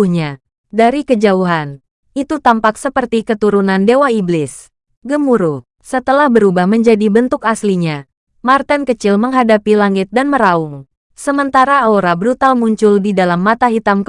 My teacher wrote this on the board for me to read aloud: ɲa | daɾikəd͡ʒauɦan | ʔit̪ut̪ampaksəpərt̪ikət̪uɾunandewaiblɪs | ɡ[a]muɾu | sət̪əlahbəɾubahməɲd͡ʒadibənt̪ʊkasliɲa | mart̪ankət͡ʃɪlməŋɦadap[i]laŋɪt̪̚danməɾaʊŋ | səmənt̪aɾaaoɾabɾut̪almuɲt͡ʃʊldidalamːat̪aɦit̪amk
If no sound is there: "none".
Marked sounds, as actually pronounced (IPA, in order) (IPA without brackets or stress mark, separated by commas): ə, i